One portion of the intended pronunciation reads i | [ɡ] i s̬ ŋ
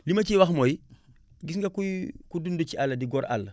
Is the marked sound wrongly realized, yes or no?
no